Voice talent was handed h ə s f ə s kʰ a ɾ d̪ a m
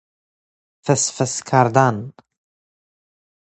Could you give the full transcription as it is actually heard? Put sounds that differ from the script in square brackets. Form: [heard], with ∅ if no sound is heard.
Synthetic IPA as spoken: [f] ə s f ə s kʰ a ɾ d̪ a [n]